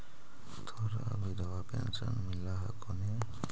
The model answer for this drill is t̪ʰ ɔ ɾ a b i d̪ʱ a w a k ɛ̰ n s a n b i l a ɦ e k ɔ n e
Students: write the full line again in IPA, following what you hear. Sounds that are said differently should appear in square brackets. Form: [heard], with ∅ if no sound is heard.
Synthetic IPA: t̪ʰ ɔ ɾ a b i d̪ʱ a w a [p] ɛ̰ n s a n [m] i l a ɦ [a] k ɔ n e